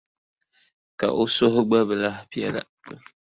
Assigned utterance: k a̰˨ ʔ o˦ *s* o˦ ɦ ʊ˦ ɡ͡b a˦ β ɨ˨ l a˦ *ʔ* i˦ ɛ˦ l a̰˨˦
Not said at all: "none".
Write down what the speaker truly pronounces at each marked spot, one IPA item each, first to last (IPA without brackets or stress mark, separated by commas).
s, p